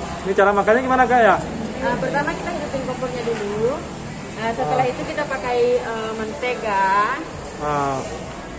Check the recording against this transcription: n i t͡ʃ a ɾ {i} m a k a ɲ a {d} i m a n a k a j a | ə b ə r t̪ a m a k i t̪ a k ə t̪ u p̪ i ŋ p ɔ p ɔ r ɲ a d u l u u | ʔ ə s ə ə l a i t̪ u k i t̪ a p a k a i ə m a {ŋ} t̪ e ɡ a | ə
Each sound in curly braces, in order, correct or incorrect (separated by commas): incorrect, incorrect, incorrect